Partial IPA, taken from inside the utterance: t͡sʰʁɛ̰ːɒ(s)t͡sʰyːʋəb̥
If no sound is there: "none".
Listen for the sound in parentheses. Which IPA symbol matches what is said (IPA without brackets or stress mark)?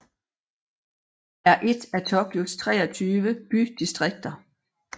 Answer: none